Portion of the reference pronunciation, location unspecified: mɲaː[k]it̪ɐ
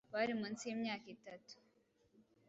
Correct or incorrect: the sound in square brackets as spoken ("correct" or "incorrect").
correct